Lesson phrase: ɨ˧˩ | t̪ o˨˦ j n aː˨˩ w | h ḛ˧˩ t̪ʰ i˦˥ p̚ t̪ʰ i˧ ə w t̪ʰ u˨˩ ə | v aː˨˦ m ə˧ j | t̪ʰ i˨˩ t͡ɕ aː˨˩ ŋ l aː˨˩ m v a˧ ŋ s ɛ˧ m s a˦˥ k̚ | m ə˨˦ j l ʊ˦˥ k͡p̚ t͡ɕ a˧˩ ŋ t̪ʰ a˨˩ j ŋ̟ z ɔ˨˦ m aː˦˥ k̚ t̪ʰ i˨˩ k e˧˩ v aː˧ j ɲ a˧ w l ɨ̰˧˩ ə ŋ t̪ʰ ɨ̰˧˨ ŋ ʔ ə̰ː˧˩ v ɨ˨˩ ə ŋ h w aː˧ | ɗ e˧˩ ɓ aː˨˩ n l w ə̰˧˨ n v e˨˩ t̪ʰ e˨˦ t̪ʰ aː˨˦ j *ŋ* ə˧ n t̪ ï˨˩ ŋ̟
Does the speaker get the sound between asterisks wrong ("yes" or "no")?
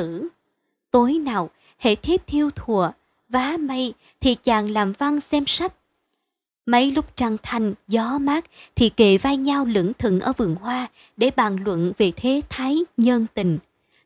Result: yes